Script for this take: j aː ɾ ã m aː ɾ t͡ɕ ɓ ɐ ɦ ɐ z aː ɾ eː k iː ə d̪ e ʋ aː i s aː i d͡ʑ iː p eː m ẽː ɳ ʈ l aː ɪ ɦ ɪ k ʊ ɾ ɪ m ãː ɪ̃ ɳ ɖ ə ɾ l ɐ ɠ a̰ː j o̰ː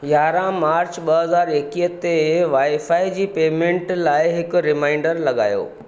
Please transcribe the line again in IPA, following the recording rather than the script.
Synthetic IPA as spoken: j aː ɾ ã m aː ɾ t͡ɕ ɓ ɐ ɦ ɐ z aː ɾ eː k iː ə t̪ e ʋ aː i f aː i d͡ʑ iː p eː m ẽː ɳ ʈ l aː ɪ ɦ ɪ k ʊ ɾ ɪ m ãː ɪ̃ ɳ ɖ ə ɾ l ɐ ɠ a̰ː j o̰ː